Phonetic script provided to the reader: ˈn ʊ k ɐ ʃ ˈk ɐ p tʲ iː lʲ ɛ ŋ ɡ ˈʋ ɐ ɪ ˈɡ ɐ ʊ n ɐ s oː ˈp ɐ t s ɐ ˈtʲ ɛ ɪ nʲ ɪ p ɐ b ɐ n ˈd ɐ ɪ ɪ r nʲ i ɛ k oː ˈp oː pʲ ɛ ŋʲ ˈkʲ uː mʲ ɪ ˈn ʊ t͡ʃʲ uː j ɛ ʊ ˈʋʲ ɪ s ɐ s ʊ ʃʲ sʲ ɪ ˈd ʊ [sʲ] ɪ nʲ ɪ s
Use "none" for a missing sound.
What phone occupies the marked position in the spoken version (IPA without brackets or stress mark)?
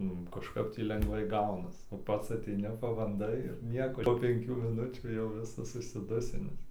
sʲ